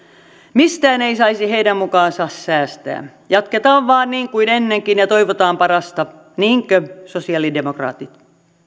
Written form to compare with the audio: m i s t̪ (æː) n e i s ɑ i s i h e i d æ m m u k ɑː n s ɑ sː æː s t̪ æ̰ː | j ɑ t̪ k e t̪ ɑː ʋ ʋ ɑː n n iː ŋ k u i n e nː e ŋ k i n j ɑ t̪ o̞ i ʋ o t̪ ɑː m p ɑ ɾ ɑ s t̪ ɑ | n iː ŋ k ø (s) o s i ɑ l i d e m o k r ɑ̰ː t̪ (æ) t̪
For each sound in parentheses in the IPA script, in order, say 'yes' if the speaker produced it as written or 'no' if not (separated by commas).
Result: yes, yes, no